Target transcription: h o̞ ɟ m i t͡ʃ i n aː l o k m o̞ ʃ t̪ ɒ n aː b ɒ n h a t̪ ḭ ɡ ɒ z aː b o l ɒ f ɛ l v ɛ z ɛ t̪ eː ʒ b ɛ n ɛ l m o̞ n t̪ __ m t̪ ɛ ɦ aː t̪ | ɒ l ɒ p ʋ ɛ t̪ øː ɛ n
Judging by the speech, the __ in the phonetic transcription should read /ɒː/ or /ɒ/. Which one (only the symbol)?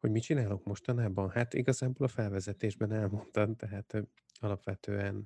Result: ɒ